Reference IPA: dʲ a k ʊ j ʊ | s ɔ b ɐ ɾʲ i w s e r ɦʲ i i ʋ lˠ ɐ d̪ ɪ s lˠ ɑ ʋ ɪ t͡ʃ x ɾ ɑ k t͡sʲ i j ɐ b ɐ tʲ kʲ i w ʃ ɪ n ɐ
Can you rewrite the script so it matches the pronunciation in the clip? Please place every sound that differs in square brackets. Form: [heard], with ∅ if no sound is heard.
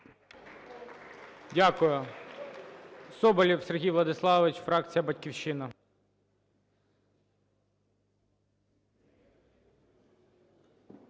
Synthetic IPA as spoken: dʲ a k ʊ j ʊ | s ɔ b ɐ [lʲ] i w s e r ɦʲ i [j] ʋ lˠ ɐ d̪ ɪ s lˠ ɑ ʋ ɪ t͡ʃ [f] ɾ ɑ k t͡sʲ i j ɐ b ɐ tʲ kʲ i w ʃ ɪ n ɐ